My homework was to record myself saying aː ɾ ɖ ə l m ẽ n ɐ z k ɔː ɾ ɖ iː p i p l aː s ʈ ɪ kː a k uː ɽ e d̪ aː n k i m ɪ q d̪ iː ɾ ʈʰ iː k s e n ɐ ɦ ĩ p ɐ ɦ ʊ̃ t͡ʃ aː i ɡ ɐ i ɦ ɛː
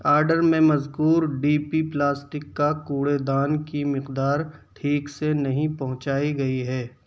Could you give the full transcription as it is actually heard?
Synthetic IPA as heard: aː ɾ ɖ ə ɾ m ẽ m ɐ z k uː ɾ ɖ iː p i p l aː s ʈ ɪ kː a k uː ɽ e d̪ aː n k i m ɪ q d̪ aː ɾ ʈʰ iː k s e n ɐ ɦ ĩ p ɐ ɦ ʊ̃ t͡ʃ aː i ɡ ɐ i ɦ ɛː